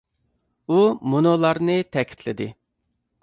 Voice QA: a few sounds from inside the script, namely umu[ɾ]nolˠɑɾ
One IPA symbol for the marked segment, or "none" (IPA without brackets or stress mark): none